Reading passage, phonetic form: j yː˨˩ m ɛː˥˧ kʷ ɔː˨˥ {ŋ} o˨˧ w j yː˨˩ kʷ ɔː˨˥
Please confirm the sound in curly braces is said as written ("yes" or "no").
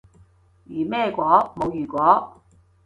no